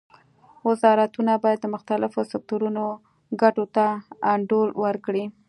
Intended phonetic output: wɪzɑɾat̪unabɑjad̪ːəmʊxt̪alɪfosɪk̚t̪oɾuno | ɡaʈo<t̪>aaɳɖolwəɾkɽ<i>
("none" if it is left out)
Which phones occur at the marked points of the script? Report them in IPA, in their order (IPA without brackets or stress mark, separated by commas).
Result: t̪, i